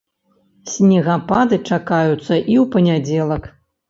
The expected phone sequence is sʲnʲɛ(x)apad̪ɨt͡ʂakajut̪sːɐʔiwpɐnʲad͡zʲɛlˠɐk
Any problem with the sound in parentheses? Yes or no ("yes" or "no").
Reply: yes